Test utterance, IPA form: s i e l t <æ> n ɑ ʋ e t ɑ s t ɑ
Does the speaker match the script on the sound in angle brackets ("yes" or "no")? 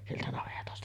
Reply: yes